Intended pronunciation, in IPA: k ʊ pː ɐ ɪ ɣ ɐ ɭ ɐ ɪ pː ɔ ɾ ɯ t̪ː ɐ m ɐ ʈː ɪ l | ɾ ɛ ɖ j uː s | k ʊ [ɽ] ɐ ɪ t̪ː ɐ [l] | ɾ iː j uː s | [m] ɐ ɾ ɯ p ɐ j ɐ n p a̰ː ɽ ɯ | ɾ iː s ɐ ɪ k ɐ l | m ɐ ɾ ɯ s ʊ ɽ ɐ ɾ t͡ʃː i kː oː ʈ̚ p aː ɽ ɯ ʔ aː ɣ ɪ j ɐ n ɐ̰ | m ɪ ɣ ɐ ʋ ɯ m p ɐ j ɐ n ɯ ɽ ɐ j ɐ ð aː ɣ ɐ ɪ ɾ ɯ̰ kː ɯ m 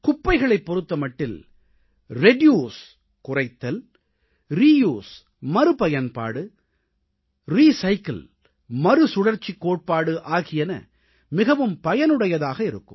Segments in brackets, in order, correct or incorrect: incorrect: r, correct, correct

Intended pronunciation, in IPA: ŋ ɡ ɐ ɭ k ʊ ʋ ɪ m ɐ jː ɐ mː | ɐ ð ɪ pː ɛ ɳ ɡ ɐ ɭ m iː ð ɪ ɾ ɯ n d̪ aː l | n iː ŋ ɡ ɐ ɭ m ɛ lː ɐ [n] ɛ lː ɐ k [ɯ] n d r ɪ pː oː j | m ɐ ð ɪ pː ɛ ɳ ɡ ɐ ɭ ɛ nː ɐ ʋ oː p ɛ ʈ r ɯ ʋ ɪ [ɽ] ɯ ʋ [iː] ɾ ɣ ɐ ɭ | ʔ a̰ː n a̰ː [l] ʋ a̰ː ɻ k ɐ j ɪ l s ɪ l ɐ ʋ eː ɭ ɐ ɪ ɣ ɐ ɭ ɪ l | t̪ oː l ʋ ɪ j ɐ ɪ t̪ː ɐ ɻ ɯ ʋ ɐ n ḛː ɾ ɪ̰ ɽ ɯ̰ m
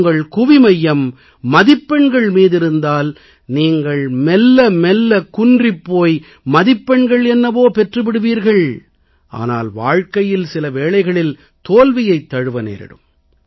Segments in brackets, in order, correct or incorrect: incorrect: m, incorrect: ʊ, correct, correct, correct

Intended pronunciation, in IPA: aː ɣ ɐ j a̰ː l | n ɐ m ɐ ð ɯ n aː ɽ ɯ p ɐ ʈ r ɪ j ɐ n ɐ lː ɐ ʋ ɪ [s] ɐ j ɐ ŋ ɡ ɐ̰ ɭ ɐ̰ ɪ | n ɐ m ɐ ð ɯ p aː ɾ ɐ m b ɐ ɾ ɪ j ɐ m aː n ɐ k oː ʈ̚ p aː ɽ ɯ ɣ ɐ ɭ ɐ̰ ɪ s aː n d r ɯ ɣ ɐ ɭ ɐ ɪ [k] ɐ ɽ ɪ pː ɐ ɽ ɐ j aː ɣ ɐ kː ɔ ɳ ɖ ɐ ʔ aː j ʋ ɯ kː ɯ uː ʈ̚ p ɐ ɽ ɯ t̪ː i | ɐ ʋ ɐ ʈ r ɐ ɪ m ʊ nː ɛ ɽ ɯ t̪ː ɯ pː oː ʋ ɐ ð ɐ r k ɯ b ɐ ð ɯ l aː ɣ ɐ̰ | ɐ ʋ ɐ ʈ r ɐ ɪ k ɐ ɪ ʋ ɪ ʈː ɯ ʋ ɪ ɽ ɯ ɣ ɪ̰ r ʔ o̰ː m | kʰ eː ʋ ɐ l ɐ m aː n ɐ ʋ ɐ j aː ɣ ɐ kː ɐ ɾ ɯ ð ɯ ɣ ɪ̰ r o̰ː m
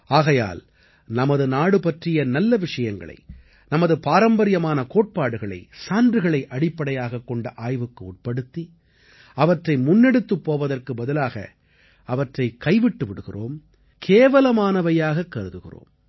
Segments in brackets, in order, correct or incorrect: incorrect: ʂ, incorrect: ʔ

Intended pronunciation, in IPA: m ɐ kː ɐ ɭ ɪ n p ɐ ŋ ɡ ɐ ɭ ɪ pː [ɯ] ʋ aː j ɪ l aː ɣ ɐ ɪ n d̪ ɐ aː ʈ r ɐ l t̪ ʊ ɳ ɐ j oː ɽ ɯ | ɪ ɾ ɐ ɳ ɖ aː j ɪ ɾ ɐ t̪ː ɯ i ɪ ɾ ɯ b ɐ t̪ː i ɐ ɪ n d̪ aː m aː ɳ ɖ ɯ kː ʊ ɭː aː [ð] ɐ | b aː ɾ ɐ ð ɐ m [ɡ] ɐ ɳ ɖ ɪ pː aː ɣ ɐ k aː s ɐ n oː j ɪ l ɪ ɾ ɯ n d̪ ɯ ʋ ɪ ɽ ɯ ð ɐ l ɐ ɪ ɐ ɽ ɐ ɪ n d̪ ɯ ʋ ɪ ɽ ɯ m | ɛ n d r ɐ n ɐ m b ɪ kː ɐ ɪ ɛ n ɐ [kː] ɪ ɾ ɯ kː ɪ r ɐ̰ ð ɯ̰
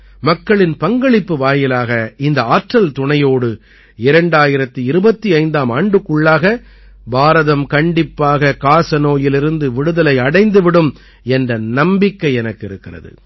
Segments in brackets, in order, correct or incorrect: correct, incorrect: ɣ, incorrect: k, correct

